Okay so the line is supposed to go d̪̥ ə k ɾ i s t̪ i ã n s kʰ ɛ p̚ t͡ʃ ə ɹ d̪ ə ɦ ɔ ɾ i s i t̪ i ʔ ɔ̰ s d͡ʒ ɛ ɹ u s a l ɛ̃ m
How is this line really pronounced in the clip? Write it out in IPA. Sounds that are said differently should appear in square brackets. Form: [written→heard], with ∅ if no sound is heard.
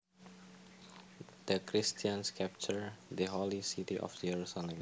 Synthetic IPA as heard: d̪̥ ə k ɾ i s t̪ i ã n s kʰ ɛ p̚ t͡ʃ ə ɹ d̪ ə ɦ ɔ [ɾ→l] i s i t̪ i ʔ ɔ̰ [s→f] d͡ʒ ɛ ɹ u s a l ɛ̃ m